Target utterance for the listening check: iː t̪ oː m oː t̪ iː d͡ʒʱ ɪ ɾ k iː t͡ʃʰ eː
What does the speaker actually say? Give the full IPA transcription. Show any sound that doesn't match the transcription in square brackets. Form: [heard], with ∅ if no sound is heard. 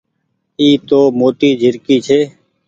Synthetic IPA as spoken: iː t̪ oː m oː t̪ iː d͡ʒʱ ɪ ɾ k iː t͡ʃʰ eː